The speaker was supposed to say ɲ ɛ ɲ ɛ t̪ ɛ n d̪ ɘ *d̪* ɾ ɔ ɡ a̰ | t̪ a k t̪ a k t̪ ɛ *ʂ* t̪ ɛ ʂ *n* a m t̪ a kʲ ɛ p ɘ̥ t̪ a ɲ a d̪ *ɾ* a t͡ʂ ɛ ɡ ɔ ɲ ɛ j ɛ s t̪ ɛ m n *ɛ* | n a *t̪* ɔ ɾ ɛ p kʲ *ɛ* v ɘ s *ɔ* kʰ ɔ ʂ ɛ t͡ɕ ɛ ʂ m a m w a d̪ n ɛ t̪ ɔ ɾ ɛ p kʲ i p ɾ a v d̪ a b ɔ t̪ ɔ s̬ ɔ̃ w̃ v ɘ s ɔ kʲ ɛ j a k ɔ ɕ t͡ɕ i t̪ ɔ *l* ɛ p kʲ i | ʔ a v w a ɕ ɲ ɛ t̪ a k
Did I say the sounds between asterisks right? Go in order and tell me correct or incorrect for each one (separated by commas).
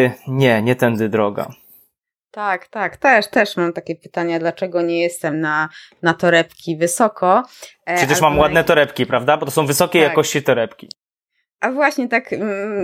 correct, correct, incorrect, incorrect, incorrect, correct, incorrect, correct, incorrect